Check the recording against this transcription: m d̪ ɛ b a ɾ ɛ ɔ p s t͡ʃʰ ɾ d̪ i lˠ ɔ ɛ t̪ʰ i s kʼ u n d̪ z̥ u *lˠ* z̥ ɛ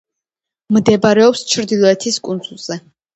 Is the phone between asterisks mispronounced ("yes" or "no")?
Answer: no